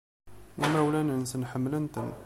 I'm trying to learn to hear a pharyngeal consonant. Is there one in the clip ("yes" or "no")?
yes